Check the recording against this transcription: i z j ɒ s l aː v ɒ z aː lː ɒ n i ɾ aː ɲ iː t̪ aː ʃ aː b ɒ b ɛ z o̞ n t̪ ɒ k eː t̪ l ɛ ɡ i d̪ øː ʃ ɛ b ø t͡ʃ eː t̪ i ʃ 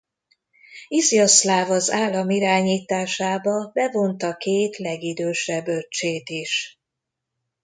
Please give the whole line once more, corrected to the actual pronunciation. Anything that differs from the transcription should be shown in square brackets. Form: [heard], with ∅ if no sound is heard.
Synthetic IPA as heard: i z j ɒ s l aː v ɒ z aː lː ɒ [m] i ɾ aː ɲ iː t̪ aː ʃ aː b ɒ b ɛ [v] o̞ n t̪ ɒ k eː t̪ l ɛ ɡ i d̪ øː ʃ ɛ b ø t͡ʃ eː t̪ i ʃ